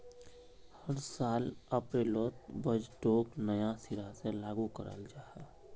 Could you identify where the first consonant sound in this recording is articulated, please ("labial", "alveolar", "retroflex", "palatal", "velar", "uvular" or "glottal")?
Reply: glottal